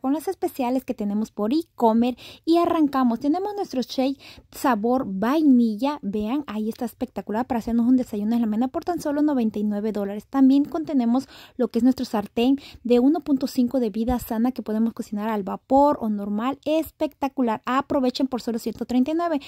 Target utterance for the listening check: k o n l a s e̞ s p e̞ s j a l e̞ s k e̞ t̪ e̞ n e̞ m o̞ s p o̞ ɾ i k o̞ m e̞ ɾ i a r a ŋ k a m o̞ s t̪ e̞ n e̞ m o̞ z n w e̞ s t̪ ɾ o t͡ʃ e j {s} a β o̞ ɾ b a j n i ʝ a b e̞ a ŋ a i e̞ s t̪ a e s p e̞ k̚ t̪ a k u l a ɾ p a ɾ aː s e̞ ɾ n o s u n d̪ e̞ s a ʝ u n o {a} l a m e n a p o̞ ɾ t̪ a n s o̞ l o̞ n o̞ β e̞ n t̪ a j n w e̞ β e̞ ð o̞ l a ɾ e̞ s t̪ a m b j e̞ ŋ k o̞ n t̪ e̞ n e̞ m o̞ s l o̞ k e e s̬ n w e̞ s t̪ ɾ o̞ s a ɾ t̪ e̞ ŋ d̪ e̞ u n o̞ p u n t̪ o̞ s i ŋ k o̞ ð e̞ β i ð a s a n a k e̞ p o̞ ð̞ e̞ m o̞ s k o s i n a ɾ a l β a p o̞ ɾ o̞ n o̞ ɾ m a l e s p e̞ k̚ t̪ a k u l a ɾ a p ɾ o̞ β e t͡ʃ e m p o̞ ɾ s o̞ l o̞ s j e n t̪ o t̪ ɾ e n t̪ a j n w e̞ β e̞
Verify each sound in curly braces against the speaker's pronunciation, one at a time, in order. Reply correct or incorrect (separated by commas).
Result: correct, incorrect